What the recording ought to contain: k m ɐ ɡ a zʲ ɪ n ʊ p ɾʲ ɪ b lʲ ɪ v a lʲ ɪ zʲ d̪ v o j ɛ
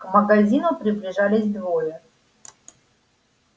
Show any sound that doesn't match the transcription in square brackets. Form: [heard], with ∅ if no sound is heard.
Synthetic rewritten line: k m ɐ ɡ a zʲ [i] n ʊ p ɾʲ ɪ b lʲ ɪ [ʐ] a lʲ ɪ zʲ d̪ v o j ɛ